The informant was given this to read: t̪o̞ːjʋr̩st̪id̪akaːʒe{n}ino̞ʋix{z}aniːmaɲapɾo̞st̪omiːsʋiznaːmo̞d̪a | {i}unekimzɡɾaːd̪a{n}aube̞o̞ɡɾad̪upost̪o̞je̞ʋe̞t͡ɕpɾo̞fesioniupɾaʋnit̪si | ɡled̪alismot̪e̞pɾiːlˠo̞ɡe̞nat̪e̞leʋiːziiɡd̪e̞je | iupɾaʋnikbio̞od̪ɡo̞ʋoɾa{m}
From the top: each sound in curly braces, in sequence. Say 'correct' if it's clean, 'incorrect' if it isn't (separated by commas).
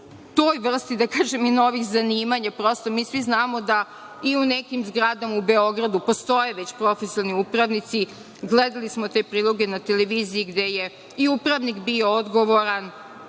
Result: incorrect, correct, correct, incorrect, incorrect